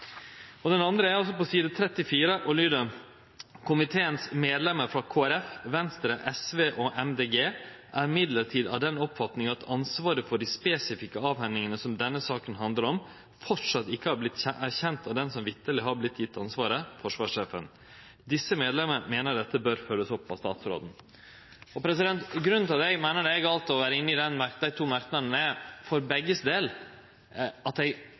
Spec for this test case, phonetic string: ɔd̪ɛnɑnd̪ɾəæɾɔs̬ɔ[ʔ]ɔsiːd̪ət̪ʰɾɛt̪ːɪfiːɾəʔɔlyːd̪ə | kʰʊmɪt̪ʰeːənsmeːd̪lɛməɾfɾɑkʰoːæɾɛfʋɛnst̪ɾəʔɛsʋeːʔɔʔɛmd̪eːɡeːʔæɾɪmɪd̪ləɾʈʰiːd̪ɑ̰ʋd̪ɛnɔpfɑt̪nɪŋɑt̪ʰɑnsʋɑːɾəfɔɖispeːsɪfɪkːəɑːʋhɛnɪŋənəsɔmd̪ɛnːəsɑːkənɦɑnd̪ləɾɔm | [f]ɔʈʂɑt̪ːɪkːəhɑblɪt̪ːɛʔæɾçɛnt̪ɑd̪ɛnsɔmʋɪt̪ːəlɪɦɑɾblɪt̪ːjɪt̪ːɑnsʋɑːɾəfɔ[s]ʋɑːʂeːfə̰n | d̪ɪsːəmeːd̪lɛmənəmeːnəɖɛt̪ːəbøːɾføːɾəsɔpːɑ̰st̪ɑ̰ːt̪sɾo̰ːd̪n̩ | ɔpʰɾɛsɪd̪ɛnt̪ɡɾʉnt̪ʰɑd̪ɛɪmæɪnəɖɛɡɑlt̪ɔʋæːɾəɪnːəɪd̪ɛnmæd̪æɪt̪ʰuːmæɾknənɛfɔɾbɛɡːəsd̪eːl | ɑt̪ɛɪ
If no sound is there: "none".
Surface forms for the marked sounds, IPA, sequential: p, f, ʂ

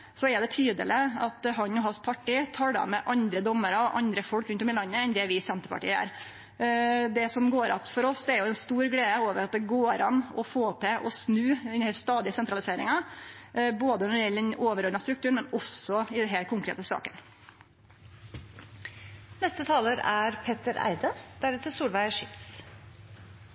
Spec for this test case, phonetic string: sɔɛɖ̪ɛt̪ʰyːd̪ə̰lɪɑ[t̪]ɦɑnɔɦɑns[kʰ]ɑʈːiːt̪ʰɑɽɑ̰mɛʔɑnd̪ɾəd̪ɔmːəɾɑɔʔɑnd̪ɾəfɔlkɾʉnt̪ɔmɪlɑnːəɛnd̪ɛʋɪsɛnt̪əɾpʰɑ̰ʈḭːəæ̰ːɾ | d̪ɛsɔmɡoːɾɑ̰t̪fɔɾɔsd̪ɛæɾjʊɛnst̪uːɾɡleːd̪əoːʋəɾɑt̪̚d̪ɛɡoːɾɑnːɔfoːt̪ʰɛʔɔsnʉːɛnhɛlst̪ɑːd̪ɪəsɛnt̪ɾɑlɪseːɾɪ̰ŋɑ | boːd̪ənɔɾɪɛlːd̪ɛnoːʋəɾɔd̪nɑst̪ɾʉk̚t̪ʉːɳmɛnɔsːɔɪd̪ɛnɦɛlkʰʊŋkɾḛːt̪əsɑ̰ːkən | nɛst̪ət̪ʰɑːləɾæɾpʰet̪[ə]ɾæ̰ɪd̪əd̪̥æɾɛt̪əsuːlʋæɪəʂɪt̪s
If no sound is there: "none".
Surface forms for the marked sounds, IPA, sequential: t̪, pʰ, ə

